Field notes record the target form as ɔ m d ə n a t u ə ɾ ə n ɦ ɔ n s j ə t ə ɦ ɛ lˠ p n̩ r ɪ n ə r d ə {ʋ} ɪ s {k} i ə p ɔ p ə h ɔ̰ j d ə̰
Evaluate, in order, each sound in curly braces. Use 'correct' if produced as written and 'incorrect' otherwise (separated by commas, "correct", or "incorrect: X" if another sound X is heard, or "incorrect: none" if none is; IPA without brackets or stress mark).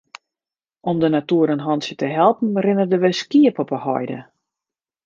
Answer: correct, correct